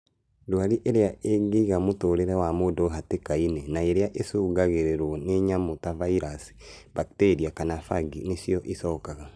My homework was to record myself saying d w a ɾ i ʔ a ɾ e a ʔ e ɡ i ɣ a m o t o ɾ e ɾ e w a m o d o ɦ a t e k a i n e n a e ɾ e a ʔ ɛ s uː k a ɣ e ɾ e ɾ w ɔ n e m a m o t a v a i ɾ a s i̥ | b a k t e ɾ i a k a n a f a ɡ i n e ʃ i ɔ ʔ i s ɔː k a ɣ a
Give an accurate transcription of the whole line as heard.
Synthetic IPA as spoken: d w a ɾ i ʔ e ɾ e a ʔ e ɡ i ɣ a m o t o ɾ e ɾ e w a m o d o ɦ a t e k a i n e n a e ɾ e a ʔ e s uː ɡ a ɣ e ɾ e ɾ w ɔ n e ɲ a m o t a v a i ɾ a s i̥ | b a k t e ɾ i a k a n a f a ɡ i n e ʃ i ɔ ʔ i s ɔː k a ɣ a